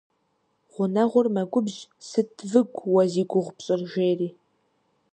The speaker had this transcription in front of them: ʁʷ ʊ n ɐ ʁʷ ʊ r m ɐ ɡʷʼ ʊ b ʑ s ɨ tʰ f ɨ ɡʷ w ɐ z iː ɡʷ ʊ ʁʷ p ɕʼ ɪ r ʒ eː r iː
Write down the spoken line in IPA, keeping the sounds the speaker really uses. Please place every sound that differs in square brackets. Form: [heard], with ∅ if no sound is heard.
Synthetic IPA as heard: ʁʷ ʊ n ɐ ʁʷ ʊ r m ɐ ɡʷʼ ʊ b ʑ s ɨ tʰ [v] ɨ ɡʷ w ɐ z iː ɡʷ ʊ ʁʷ p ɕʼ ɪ r ʒ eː r iː